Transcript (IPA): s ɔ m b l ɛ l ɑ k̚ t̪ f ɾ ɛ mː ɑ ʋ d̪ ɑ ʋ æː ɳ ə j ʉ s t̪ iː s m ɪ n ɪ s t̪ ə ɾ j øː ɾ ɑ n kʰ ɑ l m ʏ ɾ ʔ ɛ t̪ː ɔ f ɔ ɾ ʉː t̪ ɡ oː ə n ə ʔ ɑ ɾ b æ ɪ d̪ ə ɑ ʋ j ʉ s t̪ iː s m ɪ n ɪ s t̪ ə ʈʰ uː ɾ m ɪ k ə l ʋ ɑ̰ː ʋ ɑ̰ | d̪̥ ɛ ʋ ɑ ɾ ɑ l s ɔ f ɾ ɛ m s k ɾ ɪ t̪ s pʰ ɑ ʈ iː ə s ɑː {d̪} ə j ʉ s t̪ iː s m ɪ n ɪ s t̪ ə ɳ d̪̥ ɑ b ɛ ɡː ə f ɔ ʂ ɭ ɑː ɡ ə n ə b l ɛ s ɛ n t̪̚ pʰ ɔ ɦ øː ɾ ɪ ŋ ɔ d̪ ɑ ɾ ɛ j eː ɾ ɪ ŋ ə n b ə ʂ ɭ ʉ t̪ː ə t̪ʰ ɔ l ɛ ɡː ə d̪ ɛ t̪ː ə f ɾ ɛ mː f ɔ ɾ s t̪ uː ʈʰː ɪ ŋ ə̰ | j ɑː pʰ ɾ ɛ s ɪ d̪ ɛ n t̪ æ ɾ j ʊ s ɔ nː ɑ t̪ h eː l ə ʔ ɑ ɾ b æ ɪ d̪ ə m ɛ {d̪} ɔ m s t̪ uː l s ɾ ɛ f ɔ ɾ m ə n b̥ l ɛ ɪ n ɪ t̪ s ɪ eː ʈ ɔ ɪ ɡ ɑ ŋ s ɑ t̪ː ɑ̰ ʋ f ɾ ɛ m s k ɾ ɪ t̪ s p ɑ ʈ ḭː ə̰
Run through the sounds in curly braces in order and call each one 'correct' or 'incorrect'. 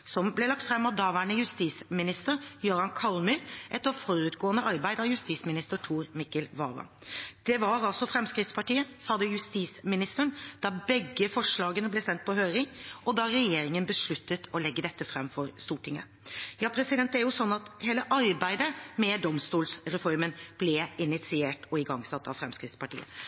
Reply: correct, correct

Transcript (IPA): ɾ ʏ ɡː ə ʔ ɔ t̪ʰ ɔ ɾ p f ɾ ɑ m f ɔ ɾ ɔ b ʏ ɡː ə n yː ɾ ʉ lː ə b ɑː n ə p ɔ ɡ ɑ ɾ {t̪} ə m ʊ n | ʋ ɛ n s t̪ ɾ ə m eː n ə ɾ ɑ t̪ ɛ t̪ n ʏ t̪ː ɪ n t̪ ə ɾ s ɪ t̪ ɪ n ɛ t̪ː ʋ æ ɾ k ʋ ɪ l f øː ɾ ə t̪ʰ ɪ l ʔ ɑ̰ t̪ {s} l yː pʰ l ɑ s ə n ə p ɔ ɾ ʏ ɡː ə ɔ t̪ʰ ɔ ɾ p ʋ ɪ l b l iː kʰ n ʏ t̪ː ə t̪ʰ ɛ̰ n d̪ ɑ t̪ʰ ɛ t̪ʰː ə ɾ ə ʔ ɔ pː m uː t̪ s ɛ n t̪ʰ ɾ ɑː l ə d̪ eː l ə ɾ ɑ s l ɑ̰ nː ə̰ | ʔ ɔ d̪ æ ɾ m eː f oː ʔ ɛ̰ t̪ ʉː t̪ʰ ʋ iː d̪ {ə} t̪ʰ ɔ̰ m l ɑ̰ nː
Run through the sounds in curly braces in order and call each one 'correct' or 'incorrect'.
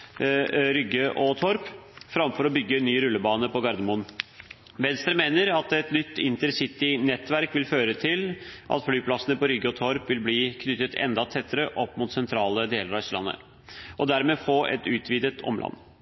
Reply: incorrect: d̪, incorrect: f, correct

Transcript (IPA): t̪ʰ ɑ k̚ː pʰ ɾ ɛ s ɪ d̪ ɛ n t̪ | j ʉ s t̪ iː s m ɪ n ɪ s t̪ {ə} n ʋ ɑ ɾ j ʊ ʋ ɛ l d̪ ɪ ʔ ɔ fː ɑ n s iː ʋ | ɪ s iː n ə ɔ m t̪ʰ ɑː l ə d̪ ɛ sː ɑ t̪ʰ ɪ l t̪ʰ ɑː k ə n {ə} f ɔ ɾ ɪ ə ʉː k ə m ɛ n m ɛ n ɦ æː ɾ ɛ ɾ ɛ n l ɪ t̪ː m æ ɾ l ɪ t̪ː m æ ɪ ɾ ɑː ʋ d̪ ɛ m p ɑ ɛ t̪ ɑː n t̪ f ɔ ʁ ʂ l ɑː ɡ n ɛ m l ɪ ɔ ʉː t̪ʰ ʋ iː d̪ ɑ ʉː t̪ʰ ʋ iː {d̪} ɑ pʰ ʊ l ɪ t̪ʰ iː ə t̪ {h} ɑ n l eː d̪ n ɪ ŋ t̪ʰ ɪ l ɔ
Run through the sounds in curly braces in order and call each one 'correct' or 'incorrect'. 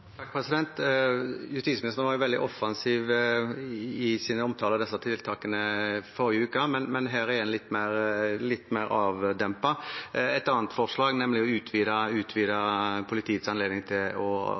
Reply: correct, correct, correct, incorrect: s

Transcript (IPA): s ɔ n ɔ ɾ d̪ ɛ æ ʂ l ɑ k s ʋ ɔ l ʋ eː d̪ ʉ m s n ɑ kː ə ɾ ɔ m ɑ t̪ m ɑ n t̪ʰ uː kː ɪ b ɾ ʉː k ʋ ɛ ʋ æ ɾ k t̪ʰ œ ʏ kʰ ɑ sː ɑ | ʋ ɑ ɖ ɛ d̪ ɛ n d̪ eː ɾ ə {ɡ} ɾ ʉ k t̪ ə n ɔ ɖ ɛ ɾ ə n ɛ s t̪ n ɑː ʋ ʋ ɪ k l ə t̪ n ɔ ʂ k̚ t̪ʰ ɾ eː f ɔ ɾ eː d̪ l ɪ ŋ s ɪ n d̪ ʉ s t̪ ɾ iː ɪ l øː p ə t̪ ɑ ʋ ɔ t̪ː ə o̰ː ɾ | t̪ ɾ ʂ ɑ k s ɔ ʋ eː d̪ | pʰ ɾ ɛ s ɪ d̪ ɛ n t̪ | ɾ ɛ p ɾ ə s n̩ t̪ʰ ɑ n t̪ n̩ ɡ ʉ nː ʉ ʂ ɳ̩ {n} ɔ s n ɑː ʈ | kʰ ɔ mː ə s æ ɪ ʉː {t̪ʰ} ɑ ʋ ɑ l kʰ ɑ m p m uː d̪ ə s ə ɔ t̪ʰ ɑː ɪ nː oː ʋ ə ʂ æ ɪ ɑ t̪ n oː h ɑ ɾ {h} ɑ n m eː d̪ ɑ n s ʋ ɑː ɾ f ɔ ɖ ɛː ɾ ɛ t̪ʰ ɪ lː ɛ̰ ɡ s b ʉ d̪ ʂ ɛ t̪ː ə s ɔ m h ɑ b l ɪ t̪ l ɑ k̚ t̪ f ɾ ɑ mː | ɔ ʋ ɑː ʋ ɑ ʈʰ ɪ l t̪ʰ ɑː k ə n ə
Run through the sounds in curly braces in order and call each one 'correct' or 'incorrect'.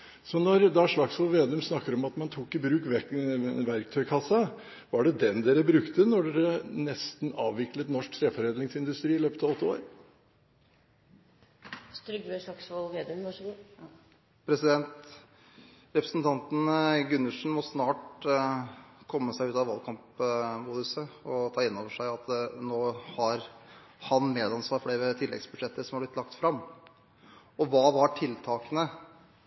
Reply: incorrect: b, incorrect: m, incorrect: t̪, correct

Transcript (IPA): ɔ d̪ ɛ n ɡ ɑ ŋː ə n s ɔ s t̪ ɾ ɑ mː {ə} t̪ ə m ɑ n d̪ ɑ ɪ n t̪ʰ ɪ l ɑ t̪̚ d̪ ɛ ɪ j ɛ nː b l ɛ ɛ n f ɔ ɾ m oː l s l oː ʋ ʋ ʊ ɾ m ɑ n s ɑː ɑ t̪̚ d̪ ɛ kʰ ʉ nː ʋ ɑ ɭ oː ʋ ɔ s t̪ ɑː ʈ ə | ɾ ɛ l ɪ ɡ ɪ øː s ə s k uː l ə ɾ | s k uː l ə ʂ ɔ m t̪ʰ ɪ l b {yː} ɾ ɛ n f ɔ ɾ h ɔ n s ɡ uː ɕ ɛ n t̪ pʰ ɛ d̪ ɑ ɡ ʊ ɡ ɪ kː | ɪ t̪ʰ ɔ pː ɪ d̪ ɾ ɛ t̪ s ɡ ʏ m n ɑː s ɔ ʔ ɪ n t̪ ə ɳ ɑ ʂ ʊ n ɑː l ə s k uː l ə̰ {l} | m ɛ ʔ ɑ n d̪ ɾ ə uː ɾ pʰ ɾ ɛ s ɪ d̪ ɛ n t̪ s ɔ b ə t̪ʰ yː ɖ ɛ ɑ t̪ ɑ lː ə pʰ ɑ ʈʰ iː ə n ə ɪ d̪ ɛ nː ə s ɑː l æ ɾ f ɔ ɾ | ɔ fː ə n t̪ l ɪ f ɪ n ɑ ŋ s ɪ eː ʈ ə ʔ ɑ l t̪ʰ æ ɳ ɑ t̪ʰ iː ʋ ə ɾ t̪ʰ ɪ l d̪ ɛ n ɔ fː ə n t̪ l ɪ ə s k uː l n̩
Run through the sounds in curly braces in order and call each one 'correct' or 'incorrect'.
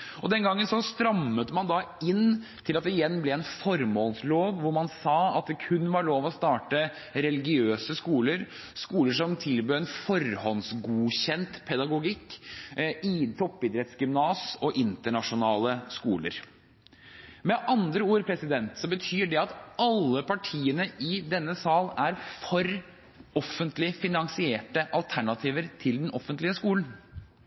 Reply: correct, incorrect: øː, incorrect: ɾ

